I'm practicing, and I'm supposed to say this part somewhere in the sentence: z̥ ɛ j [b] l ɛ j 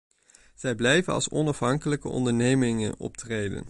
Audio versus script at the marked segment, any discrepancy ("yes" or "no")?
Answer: no